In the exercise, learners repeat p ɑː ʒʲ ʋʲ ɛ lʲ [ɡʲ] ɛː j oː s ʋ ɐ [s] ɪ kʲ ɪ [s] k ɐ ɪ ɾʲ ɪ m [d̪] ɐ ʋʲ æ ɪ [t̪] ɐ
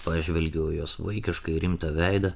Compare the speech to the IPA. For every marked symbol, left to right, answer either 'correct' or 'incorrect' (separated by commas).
correct, incorrect, incorrect, incorrect, incorrect